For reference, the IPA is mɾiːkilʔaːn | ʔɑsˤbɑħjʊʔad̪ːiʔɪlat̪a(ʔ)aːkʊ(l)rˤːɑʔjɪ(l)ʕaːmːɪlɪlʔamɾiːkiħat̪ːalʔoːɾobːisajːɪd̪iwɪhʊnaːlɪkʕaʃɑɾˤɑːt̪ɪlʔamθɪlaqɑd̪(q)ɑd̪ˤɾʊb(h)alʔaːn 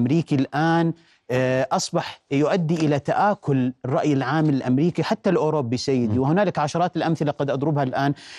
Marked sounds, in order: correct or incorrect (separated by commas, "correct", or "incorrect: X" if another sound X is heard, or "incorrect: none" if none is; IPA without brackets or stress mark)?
correct, correct, correct, incorrect: ʔ, correct